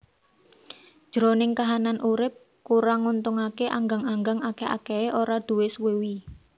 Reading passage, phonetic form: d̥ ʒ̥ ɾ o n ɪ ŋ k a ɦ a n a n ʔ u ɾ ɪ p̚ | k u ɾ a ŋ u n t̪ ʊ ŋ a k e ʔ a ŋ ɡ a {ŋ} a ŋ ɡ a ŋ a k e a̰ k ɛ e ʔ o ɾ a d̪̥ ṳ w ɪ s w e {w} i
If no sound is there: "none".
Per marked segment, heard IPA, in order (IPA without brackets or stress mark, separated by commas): ŋ, w